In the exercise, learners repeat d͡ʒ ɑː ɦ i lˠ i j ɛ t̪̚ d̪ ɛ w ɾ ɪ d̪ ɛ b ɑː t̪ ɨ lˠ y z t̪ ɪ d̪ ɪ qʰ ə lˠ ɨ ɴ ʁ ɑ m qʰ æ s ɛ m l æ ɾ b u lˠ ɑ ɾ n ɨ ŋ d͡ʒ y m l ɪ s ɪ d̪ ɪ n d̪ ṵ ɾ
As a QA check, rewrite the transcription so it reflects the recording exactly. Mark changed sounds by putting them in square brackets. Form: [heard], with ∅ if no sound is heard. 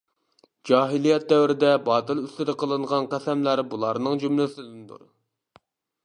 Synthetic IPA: d͡ʒ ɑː ɦ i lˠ i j ɛ t̪̚ d̪ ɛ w ɾ ɪ d̪ ɛ b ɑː t̪ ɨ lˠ y [s] t̪ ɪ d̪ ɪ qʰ ə lˠ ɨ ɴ ʁ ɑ [n] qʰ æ s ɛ m l æ ɾ b u lˠ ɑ ɾ n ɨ ŋ d͡ʒ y m l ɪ s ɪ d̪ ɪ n d̪ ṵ ɾ